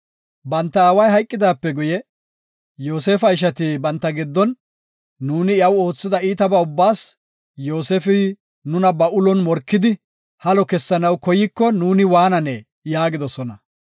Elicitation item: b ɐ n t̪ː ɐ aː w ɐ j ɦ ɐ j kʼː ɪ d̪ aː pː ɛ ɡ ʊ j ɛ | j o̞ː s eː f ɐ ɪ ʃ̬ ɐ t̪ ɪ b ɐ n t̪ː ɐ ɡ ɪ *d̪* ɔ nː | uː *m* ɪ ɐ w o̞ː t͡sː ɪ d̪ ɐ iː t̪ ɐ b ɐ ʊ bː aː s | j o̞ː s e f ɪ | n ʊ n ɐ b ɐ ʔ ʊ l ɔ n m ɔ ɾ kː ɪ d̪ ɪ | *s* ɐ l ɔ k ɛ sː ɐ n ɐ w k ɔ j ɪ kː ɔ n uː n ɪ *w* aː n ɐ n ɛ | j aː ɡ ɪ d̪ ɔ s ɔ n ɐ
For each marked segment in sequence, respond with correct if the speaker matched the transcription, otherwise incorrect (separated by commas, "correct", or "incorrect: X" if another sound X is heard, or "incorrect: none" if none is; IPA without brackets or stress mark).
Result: incorrect: d̪ː, incorrect: n, incorrect: h, correct